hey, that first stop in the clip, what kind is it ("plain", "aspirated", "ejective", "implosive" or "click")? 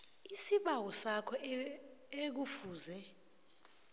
implosive